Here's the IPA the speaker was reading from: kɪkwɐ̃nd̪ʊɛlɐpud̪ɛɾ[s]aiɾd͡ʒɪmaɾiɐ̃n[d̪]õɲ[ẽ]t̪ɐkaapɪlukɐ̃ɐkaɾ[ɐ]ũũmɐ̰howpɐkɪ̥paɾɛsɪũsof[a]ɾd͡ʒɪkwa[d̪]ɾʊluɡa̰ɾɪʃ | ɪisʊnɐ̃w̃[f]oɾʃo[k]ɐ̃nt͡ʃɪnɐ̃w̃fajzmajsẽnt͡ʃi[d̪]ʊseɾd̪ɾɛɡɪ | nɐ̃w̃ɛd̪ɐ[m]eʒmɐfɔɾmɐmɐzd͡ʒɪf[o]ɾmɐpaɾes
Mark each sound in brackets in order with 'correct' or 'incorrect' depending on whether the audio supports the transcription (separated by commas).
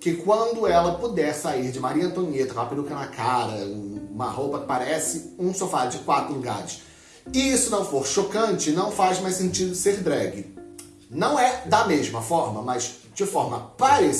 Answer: correct, incorrect, incorrect, correct, correct, incorrect, correct, correct, correct, correct, incorrect